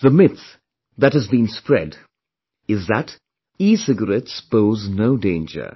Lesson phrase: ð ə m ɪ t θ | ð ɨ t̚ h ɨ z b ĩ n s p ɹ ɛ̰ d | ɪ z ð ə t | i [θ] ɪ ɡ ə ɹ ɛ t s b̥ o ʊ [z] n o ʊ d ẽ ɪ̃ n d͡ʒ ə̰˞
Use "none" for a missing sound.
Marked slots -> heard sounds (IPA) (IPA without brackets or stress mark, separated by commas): s, z